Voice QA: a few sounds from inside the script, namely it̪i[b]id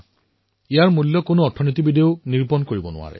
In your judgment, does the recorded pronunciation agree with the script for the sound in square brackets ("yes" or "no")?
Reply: yes